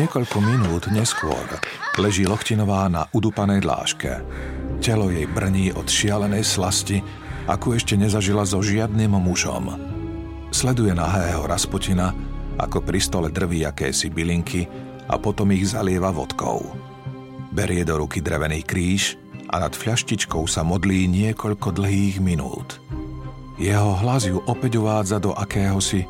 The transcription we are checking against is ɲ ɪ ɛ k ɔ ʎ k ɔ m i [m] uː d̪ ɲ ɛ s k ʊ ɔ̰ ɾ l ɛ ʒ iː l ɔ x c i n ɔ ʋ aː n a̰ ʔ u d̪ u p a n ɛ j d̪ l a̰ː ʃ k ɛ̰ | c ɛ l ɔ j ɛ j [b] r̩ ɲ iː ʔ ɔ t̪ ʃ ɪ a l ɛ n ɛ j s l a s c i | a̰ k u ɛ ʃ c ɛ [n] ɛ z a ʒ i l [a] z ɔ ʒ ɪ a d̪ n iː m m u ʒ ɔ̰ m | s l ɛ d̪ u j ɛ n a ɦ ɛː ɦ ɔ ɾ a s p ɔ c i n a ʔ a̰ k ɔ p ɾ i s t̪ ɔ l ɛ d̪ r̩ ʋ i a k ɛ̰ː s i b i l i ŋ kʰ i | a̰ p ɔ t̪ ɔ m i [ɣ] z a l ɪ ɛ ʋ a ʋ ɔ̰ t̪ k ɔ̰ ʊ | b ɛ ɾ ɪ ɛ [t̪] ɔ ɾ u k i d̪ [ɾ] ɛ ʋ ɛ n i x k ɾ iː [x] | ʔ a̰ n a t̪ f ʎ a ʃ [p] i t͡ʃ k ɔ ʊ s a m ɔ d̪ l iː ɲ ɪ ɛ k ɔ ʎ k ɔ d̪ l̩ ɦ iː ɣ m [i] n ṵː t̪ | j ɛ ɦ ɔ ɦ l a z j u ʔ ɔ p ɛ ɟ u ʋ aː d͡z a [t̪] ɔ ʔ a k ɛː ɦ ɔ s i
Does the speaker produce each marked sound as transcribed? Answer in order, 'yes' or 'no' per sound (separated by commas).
no, yes, no, yes, yes, no, yes, no, no, yes, no